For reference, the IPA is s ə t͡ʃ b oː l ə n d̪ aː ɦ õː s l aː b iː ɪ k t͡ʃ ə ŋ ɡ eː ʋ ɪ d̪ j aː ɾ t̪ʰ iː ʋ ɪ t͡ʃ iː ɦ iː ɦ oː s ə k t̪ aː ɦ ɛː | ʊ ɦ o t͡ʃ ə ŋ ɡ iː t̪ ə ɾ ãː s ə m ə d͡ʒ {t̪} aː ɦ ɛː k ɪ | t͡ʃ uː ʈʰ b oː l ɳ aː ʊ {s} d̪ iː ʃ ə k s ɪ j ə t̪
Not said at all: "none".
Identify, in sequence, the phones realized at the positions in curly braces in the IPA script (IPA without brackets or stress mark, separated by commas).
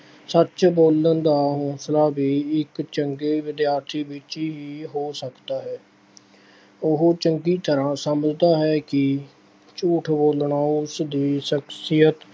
d̪, s